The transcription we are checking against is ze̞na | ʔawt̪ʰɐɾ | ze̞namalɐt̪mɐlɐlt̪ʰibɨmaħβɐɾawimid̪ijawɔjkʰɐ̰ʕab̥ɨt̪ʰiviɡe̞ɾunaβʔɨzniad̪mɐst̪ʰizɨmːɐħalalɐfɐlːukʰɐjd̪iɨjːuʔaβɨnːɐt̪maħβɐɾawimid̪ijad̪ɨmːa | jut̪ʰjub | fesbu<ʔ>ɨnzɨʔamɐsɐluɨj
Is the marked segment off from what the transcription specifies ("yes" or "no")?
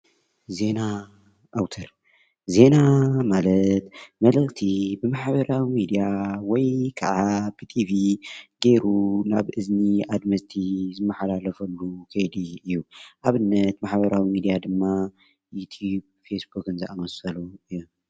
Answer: yes